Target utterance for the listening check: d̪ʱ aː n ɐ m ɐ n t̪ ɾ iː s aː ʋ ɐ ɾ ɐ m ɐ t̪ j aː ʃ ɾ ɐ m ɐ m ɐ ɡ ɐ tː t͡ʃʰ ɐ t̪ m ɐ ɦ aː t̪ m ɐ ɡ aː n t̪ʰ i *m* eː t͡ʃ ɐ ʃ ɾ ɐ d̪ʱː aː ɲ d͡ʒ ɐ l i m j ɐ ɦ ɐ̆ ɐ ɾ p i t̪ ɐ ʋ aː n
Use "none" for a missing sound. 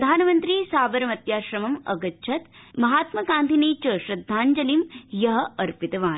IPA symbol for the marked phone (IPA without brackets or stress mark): n